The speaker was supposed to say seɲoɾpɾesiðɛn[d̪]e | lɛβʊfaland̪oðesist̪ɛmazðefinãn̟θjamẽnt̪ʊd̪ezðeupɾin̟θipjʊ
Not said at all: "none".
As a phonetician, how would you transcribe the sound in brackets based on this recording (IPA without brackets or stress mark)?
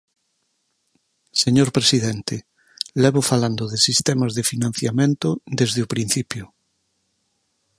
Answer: t̪